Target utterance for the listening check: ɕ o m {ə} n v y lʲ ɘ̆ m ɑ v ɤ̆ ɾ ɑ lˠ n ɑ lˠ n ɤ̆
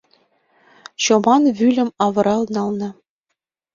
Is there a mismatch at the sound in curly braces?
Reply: yes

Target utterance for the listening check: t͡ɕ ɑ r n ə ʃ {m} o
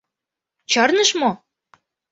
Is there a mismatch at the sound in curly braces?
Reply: no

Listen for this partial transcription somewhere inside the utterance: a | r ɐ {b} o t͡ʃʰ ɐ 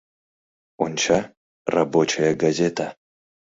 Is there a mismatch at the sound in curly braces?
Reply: no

